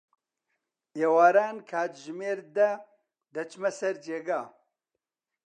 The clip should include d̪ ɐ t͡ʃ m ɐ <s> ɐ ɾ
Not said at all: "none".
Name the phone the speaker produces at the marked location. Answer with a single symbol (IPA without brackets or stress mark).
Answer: s